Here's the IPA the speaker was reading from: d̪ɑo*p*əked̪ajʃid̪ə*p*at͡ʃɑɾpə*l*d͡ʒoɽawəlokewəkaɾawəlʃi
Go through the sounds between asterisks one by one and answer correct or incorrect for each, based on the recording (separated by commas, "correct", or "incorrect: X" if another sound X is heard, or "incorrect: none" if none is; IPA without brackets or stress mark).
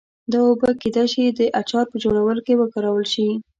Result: incorrect: b, incorrect: ʔ, incorrect: none